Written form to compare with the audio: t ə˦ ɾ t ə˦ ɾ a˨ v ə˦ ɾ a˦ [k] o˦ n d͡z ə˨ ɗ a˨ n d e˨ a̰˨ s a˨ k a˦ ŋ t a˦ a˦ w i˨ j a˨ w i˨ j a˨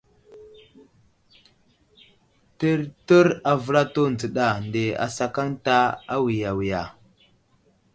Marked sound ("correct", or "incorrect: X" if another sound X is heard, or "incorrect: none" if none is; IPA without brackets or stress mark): incorrect: t